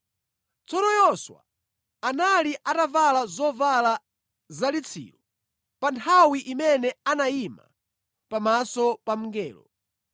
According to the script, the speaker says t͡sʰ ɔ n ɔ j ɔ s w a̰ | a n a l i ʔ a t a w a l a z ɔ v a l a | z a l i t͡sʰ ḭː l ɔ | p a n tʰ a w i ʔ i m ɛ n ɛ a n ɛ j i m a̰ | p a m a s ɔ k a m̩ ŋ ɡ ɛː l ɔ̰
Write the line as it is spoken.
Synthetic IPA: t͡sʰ ɔ n ɔ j ɔ s w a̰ | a n a l i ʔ a t a v a l a z ɔ v a l a | z a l i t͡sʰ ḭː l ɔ | p a n tʰ a w i ʔ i m ɛ n ɛ a n a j i m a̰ | p a m a s ɔ p a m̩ ŋ ɡ ɛː l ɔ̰

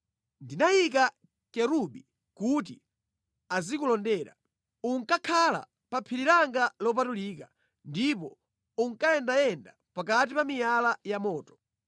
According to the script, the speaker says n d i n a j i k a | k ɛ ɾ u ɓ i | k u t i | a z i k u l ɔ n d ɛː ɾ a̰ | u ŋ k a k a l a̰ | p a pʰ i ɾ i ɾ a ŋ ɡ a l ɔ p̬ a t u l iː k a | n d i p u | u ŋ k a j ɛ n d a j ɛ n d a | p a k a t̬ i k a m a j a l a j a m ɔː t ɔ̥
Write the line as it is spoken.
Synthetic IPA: n d i n a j i k a | k ɛ ɾ u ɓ i | k u t i | a z i k u l ɔ n d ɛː ɾ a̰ | u ŋ k a kʰ a l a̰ | p a pʰ i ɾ i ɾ a ŋ ɡ a l ɔ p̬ a t u l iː k a | n d i p ɔ | u ŋ k a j ɛ n d a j ɛ n d a | p a k a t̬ i p a m i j a l a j a m ɔː t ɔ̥

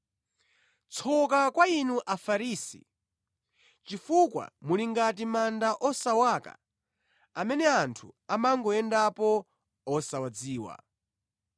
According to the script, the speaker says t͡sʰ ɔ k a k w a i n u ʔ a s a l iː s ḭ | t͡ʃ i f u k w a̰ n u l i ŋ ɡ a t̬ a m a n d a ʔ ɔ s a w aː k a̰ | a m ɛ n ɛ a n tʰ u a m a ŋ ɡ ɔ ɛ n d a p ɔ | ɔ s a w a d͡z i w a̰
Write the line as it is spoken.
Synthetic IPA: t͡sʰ ɔ k a k w a i n u ʔ a f a ɾ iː s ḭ | t͡ʃ i f u k w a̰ m u l i ŋ ɡ a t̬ i m a n d a ʔ ɔ s a w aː k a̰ | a m ɛ n ɛ a n tʰ u a m a ŋ ɡ ɔ ɛ n d a p ɔ | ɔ s a w a d͡z iː w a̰

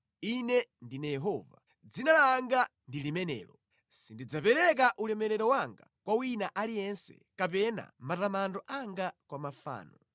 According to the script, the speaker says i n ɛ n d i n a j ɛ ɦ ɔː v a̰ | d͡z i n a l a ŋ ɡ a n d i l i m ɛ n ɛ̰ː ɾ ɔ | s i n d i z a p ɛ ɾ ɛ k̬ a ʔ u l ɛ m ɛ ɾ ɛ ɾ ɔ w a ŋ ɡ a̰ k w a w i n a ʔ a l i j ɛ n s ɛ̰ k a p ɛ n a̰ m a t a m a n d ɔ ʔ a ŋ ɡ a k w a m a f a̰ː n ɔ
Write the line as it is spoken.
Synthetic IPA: i n ɛ n d i n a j ɛ ɦ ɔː v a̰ | d͡z i n a l a ŋ ɡ a n d i l i m ɛ n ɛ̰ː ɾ ɔ | s i n d i d͡z a p ɛ ɾ ɛ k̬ a ʔ u l ɛ m ɛ ɾ ɛ ɾ ɔ w a ŋ ɡ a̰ k w a w i n a ʔ a l i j ɛ n s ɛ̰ k a p ɛ n a̰ m a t a m a n d ɔ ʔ a ŋ ɡ a k w a m a f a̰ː n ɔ

